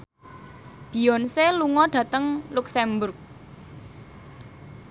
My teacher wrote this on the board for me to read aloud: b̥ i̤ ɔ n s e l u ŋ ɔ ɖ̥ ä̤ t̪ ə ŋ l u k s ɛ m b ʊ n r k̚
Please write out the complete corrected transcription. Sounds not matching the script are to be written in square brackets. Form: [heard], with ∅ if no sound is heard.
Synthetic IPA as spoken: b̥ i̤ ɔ n s e l u ŋ ɔ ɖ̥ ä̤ t̪ ə ŋ l u k s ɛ m b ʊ [∅] r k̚